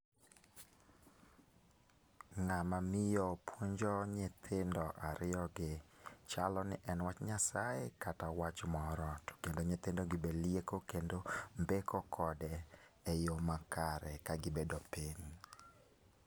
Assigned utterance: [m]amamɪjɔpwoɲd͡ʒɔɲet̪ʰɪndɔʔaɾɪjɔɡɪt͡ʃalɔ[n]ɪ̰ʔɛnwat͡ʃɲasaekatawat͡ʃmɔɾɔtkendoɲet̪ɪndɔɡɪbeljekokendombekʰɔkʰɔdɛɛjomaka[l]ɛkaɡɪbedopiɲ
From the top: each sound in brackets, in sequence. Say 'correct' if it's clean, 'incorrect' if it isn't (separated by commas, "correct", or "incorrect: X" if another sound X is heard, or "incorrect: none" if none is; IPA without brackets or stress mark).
incorrect: ŋ, correct, incorrect: ɾ